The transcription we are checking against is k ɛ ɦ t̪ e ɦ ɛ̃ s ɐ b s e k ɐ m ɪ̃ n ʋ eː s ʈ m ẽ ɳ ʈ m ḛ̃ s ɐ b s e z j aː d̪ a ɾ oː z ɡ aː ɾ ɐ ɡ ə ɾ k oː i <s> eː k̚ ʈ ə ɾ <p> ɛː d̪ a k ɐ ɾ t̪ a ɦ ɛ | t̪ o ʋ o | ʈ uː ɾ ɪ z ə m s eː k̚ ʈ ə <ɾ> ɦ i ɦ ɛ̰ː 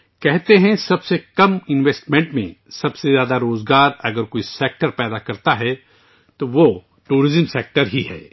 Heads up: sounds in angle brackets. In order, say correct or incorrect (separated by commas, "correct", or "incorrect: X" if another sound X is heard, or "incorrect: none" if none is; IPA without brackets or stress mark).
correct, correct, correct